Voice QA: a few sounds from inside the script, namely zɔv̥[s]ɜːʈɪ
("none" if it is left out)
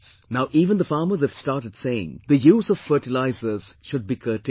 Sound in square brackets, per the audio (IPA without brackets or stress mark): f